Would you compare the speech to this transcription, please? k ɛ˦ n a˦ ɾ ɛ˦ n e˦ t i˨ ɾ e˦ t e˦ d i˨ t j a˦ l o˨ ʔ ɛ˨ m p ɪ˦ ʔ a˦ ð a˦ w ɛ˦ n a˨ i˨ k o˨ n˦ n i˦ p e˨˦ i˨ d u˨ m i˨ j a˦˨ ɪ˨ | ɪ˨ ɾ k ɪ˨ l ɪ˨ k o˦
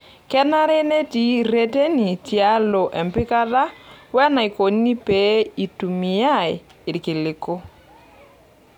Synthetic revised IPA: k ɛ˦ n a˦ ɾ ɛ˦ n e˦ t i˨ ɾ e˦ t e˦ n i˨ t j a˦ l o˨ ʔ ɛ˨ m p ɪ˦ k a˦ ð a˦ w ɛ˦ n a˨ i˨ k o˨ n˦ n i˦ p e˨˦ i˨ t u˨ m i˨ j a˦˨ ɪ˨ | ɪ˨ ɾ k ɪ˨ l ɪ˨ k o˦